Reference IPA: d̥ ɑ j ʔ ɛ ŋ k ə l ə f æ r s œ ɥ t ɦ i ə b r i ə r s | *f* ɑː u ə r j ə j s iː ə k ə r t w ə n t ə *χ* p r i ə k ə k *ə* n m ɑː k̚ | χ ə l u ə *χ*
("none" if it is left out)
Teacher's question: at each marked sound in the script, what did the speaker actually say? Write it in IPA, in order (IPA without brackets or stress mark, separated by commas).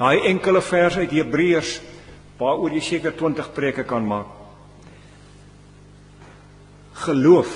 v, χ, ɐ, f